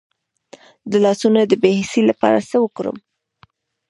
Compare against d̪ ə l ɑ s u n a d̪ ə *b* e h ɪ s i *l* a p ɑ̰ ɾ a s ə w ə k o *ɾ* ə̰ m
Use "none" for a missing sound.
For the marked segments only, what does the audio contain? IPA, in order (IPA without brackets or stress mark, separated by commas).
b, l, ɾ